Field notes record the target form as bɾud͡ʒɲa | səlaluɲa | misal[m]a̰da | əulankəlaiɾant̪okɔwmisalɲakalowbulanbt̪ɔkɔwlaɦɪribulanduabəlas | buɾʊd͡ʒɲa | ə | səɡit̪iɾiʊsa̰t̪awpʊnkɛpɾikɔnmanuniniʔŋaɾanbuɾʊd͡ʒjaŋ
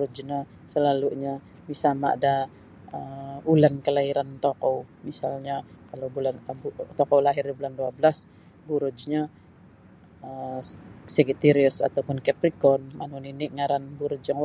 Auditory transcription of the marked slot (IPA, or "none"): m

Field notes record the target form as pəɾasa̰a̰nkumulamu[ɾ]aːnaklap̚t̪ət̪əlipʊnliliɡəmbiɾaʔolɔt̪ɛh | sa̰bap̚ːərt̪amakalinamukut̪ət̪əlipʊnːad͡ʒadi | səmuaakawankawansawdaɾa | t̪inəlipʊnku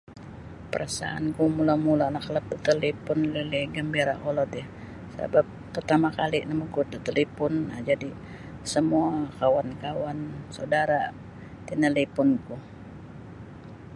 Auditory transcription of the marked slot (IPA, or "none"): l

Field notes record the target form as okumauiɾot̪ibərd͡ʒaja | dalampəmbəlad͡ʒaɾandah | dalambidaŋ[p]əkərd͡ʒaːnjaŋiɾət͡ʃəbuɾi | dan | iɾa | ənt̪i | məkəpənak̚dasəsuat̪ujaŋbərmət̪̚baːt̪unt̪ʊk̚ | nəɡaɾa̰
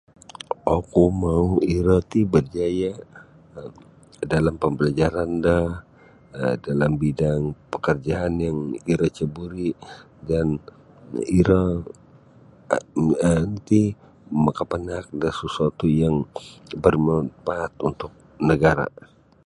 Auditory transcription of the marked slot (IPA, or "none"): p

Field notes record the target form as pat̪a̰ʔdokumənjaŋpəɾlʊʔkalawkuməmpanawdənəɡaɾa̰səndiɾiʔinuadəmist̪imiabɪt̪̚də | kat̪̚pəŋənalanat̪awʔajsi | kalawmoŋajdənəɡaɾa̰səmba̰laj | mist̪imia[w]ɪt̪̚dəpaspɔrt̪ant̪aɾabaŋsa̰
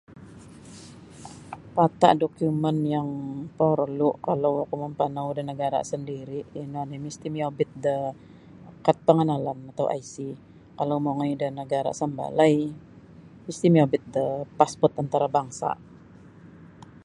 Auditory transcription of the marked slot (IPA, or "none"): b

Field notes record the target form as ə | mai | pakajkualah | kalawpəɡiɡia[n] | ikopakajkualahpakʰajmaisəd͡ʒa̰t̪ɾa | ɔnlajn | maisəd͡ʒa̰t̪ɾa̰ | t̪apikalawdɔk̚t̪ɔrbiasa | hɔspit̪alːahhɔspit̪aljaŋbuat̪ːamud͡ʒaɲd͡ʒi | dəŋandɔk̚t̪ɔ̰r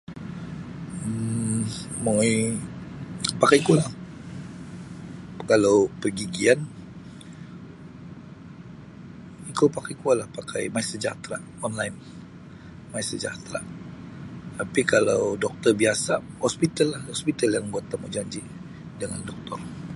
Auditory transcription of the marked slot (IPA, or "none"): n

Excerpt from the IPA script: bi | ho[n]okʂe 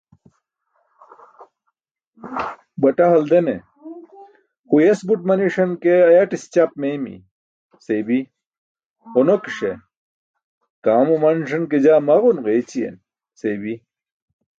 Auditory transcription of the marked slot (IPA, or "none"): n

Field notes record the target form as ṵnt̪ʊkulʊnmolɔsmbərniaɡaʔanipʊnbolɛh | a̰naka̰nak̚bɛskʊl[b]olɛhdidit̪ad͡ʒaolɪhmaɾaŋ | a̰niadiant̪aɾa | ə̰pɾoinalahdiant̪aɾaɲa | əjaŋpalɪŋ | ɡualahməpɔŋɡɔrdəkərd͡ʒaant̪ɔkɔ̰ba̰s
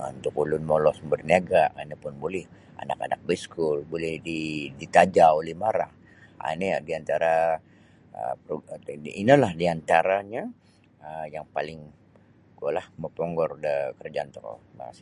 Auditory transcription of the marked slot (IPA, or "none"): b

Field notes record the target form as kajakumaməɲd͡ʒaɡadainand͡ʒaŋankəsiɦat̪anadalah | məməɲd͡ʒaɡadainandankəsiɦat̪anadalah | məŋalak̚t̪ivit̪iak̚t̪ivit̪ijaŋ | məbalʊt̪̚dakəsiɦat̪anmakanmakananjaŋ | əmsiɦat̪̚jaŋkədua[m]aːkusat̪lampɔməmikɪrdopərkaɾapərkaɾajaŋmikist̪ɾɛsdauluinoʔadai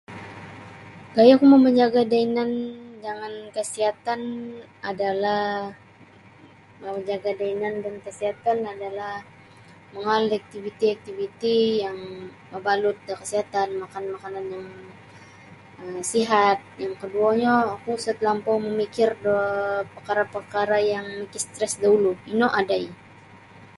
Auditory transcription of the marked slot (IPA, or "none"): ɲ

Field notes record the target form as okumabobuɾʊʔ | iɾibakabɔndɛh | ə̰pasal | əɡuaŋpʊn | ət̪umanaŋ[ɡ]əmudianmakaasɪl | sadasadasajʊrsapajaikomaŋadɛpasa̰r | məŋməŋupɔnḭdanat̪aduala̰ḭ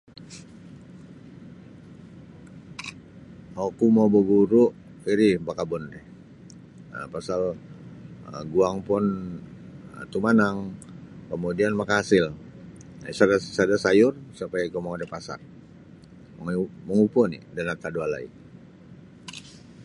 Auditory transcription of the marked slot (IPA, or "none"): k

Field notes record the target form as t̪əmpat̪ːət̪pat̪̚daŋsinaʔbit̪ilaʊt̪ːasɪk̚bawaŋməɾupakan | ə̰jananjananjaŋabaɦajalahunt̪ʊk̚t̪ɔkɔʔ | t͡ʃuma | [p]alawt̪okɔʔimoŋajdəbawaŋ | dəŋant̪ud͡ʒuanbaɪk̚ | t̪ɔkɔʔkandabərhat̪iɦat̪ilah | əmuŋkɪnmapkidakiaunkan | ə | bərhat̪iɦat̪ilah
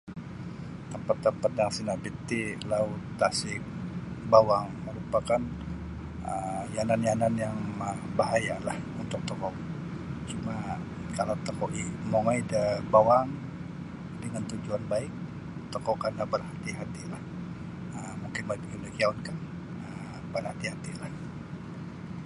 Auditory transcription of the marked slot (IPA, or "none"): k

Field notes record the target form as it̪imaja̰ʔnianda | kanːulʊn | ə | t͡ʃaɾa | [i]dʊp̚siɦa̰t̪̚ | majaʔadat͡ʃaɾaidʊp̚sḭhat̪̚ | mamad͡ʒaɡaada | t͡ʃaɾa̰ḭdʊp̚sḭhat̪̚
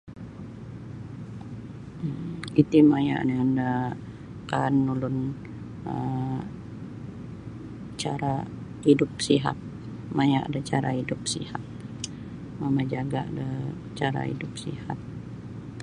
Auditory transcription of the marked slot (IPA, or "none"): i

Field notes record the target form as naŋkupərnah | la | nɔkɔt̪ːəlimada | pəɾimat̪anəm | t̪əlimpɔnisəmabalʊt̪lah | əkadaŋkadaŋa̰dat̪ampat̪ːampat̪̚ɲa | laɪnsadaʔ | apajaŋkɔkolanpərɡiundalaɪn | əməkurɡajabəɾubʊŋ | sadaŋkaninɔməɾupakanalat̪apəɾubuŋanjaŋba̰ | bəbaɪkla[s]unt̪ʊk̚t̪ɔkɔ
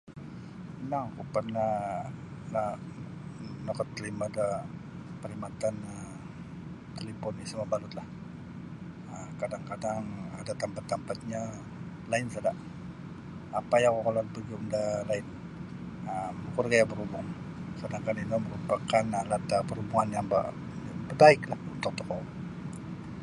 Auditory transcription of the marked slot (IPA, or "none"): h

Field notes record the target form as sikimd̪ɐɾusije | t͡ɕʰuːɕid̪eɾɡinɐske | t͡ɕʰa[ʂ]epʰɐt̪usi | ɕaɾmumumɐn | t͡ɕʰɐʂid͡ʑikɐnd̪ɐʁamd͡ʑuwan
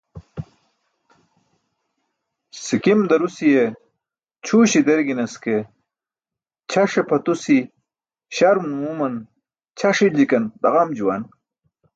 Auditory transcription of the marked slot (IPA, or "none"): ʂ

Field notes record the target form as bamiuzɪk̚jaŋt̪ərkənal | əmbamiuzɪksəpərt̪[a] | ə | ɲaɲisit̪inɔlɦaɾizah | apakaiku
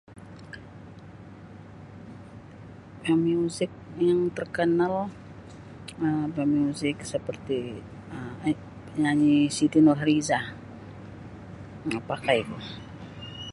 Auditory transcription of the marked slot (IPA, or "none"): i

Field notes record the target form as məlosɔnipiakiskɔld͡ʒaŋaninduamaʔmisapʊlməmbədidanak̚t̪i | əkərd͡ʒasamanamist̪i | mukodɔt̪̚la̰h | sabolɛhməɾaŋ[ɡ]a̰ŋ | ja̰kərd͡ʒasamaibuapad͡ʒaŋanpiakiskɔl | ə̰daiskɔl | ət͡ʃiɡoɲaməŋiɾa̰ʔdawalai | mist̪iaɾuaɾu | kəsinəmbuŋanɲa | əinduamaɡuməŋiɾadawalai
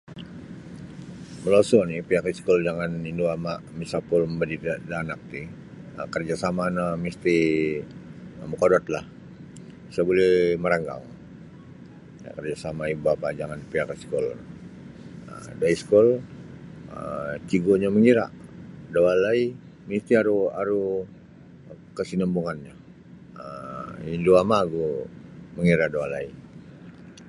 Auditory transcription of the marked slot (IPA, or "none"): ɡ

